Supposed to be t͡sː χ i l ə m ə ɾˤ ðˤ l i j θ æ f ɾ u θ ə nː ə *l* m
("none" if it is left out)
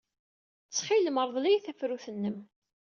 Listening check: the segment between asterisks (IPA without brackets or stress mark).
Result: none